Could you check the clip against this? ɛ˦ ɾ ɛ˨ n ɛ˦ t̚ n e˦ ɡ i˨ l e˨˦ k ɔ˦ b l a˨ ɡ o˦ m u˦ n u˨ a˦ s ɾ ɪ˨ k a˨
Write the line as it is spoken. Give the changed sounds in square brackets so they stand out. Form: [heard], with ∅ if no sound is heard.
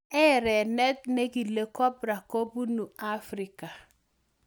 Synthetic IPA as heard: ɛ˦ ɾ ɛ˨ n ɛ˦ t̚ n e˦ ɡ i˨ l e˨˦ k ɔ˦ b [ɾ] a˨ [k] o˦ [b] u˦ n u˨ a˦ [f] ɾ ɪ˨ k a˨